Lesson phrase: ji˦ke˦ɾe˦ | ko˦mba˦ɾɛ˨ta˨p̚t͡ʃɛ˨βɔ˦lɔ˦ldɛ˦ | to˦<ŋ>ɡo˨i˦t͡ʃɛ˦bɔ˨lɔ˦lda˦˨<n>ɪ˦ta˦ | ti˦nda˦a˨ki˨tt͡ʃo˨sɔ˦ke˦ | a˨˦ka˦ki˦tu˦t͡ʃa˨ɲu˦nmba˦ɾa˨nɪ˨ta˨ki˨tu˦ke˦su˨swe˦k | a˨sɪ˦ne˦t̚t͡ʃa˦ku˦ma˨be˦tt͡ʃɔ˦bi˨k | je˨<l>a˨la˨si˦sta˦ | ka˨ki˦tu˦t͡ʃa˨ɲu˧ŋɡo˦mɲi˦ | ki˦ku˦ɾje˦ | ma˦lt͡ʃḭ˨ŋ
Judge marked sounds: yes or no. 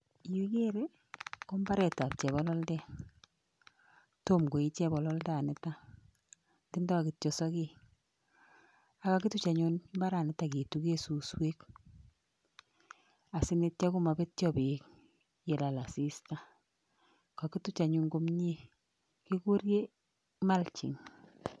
no, yes, yes

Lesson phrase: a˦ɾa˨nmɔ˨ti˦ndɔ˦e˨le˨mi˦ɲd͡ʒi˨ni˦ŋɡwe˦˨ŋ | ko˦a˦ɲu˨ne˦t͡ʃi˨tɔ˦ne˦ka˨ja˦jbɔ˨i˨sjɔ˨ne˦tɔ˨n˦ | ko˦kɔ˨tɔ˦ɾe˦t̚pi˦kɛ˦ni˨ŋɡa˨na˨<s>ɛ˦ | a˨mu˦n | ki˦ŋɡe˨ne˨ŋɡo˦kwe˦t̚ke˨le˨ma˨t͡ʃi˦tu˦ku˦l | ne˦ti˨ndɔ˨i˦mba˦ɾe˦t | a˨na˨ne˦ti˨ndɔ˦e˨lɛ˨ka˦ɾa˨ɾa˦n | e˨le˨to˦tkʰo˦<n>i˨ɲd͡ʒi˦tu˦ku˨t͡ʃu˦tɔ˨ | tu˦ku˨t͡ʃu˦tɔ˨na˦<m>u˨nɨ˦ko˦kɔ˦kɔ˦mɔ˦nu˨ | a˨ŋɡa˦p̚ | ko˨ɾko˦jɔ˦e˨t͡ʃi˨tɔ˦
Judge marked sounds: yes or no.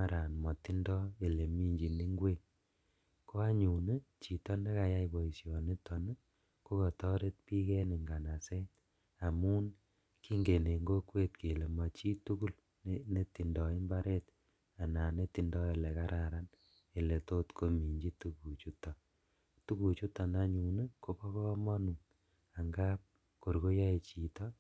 yes, no, no

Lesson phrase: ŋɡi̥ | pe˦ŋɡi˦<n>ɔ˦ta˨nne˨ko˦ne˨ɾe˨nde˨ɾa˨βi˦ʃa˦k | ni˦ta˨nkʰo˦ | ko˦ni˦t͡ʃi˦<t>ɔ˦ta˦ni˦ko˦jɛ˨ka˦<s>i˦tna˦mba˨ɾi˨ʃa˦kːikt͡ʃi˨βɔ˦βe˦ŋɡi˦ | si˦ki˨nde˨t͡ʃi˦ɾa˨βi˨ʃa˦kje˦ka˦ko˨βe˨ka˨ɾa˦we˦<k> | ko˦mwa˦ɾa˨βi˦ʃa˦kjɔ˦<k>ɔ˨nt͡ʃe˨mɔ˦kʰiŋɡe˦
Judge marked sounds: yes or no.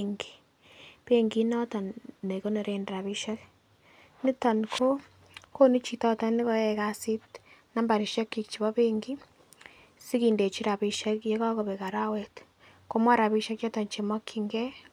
yes, yes, yes, no, no

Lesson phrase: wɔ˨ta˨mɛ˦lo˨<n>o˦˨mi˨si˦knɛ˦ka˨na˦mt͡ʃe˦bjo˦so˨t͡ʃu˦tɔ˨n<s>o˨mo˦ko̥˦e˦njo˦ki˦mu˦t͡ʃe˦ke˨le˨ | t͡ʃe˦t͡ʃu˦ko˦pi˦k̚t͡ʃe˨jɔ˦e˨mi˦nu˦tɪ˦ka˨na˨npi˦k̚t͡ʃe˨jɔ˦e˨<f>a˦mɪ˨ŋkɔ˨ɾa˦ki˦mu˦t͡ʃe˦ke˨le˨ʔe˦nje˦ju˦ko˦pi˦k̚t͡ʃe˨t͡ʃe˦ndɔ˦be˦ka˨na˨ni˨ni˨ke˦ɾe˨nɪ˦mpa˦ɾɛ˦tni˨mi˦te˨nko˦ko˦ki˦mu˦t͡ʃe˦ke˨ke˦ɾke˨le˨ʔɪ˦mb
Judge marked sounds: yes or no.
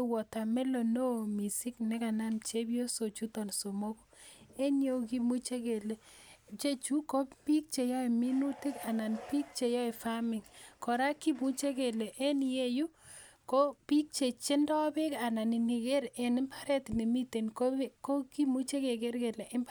yes, yes, yes

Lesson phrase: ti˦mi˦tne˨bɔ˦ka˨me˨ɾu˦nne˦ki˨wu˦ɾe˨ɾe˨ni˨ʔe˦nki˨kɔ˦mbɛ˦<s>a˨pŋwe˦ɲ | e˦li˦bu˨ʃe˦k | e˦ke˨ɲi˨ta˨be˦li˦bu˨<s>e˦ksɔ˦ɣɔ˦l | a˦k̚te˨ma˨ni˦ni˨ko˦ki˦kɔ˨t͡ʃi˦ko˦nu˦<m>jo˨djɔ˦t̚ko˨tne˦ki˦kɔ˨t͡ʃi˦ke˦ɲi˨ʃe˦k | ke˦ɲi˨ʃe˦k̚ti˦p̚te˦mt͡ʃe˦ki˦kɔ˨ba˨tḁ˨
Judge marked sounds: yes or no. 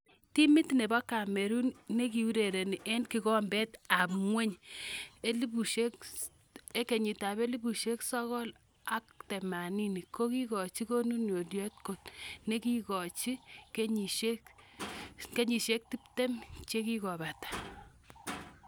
no, no, no

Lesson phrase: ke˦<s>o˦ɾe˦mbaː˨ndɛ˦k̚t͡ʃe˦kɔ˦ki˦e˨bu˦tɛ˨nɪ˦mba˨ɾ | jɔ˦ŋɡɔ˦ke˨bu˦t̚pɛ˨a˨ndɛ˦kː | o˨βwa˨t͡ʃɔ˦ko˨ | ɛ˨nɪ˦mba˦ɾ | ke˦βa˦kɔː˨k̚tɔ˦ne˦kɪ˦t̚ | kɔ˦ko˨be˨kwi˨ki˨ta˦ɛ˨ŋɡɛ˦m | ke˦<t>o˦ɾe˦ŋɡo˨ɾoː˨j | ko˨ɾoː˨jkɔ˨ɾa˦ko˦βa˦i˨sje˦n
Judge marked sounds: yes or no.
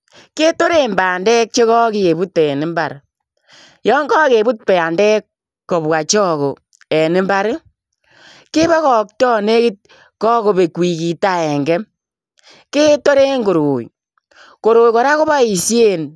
no, yes

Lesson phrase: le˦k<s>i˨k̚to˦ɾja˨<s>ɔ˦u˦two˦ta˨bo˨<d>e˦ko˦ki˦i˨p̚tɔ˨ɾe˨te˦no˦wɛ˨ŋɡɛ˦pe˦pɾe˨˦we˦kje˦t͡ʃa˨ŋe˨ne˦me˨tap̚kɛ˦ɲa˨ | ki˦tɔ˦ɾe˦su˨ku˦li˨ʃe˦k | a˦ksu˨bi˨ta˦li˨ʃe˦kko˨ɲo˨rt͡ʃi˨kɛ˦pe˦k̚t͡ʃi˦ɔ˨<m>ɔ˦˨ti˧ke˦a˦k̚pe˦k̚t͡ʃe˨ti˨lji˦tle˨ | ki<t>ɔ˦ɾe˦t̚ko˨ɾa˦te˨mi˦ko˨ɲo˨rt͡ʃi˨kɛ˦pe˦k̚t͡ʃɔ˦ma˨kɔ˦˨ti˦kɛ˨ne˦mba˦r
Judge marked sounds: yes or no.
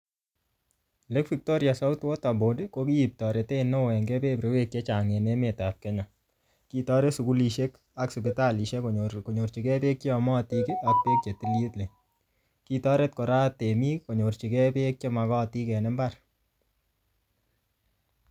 no, yes, yes, yes, yes

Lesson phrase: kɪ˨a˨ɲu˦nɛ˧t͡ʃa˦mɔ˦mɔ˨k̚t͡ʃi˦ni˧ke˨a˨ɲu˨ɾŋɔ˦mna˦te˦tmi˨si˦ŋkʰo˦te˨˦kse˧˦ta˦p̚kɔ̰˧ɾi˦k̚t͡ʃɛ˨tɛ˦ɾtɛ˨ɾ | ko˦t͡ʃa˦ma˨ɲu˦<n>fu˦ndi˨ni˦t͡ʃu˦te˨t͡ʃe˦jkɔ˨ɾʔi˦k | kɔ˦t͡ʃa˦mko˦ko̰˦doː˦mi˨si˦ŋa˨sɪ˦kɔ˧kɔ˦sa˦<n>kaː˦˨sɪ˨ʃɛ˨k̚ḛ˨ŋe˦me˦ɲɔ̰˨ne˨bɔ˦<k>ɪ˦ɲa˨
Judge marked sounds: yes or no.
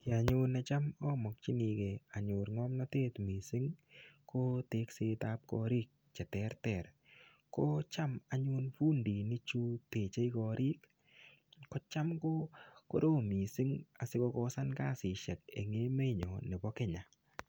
yes, yes, yes

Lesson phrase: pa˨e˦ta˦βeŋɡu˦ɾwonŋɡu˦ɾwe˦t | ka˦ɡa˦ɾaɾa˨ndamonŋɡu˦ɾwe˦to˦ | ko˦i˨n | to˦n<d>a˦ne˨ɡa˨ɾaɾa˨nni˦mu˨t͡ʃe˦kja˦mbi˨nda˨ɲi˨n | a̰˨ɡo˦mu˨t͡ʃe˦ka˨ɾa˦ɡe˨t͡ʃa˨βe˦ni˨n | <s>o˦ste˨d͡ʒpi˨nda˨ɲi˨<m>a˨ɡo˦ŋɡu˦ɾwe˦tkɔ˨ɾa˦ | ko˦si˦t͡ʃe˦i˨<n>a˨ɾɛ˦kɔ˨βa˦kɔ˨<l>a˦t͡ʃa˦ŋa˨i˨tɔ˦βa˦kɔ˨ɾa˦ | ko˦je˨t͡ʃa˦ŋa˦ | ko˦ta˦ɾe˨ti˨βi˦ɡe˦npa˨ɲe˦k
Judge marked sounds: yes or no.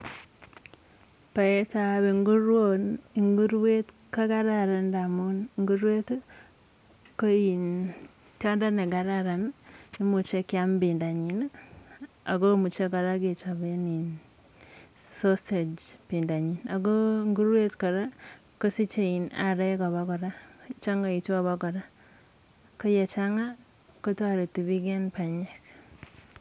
yes, yes, no, yes, no

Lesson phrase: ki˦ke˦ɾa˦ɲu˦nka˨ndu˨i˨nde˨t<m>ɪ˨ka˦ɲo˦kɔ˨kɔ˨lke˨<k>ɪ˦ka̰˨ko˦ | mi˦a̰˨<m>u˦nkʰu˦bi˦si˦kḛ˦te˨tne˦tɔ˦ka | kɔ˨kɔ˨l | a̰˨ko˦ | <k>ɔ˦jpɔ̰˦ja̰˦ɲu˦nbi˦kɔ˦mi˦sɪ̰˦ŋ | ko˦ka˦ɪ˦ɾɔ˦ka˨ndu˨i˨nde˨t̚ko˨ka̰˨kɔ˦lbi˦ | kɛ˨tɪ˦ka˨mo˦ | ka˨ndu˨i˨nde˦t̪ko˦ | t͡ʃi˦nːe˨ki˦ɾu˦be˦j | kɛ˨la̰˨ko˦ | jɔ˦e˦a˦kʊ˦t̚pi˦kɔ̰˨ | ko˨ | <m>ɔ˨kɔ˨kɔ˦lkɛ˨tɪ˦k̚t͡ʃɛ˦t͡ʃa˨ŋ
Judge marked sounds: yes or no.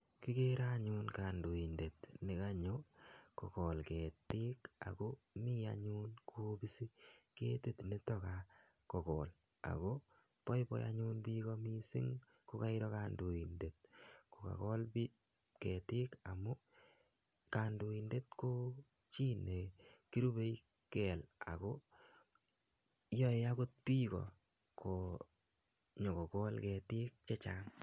no, no, no, no, no

